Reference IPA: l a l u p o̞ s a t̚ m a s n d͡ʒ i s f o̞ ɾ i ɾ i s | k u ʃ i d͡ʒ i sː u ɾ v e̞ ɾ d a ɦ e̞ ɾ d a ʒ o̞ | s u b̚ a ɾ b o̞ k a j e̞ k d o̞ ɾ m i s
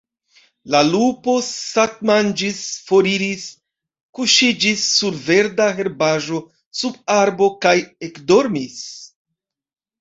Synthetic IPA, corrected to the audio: l a l u p o̞ s a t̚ m a n d͡ʒ i s f o̞ ɾ i ɾ i s | k u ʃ i d͡ʒ i sː u ɾ v e̞ ɾ d a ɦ e̞ ɾ b a ʒ o̞ | s u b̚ a ɾ b o̞ k a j e̞ k d o̞ ɾ m i s